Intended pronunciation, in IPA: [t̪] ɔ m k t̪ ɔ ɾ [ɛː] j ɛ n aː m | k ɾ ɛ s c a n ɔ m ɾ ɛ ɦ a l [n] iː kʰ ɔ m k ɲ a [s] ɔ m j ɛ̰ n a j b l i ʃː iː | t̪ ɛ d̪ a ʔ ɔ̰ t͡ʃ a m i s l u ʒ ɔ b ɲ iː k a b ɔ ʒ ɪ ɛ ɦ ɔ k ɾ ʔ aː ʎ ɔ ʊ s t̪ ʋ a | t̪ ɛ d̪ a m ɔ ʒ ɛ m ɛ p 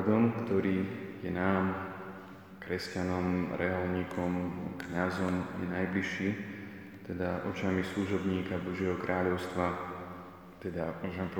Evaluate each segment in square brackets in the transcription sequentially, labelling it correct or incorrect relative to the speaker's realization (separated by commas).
incorrect, incorrect, incorrect, incorrect